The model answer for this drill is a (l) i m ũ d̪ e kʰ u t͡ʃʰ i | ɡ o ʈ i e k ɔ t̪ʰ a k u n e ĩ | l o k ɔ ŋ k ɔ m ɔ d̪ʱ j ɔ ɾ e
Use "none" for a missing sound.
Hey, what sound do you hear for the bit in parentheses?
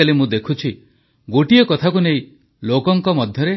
l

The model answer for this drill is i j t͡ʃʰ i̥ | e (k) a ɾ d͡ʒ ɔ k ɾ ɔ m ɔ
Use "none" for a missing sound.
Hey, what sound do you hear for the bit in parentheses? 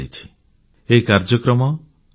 k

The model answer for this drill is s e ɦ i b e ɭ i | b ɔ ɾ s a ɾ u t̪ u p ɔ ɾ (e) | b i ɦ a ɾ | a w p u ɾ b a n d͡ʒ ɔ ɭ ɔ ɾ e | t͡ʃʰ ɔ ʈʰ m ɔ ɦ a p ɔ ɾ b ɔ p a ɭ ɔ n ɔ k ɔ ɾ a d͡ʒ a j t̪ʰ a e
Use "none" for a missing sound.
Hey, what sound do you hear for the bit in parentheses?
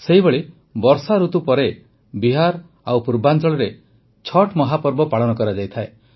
e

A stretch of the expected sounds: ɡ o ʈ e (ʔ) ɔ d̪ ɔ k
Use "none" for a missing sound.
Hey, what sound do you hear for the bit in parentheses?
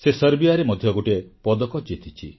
p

